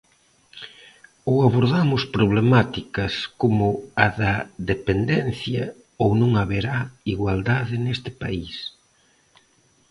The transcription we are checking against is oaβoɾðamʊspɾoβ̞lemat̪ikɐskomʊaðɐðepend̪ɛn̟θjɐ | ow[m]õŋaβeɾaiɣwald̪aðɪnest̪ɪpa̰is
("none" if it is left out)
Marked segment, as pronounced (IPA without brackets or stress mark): n